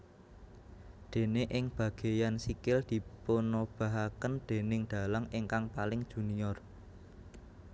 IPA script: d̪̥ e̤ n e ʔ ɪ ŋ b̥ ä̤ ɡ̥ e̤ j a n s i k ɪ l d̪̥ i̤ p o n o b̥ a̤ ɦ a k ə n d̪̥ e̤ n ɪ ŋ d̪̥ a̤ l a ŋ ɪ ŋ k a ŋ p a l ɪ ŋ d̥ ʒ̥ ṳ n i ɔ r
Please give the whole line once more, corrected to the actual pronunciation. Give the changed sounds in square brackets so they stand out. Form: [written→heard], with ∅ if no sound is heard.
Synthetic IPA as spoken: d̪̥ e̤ n e ʔ ɪ ŋ b̥ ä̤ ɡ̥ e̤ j a n s i k ɪ l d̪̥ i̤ p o n o b̥ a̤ ɦ a k ə n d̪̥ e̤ n ɪ ŋ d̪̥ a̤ l a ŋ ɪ ŋ k a ŋ p a l ɪ ŋ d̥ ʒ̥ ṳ n i ɔ r